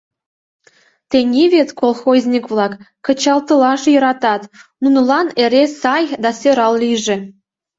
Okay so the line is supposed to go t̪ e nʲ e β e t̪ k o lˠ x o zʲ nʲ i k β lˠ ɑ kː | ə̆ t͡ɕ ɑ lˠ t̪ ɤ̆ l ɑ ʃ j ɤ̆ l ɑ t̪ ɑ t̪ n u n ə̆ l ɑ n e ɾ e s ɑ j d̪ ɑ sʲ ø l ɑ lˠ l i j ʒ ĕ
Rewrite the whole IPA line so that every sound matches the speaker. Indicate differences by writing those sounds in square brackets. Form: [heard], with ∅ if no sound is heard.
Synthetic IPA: t̪ e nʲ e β e t̪ k o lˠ x o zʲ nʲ i k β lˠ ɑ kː | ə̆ t͡ɕ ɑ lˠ t̪ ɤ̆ l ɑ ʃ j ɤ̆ [ɾ] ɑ t̪ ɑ t̪ n u n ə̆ l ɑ n e ɾ e s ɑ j d̪ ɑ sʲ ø [ɾ] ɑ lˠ l i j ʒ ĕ